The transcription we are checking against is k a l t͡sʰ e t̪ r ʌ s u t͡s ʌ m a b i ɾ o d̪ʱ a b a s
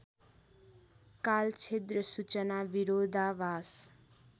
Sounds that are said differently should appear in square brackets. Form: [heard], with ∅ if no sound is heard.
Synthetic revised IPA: k a l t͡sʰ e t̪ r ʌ s u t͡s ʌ [n] a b i ɾ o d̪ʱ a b a s